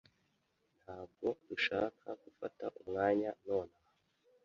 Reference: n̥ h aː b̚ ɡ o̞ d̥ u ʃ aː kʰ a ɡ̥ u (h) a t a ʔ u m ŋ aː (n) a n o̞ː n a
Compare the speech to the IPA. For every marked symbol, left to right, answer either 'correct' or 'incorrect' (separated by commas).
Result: incorrect, incorrect